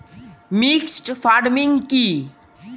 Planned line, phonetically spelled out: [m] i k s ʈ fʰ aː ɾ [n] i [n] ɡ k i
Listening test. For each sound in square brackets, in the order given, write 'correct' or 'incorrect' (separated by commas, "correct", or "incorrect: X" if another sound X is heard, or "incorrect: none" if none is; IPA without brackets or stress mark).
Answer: correct, incorrect: m, incorrect: ŋ